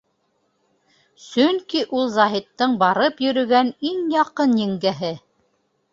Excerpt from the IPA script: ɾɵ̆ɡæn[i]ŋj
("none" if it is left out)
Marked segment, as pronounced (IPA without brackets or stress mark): i